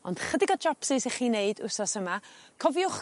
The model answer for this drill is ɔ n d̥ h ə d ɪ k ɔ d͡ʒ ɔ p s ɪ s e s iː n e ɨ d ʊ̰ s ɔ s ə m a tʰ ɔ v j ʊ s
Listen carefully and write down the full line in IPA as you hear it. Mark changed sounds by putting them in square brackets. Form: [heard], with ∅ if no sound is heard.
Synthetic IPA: ɔ n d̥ [χ] ə d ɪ [ɡ] ɔ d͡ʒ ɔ p s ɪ s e [χ] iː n e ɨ d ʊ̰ s ɔ s ə m a [kʰ] ɔ v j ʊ [χ]